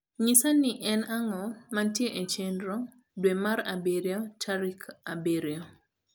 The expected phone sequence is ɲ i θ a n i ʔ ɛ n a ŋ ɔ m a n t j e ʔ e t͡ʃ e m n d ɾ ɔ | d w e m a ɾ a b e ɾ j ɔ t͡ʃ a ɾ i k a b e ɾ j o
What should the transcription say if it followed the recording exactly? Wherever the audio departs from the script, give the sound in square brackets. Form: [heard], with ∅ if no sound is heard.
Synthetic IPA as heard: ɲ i [s] a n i ʔ ɛ n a ŋ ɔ m a n t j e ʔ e t͡ʃ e [∅] n d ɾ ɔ | d w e m a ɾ a b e ɾ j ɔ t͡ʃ a ɾ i k a b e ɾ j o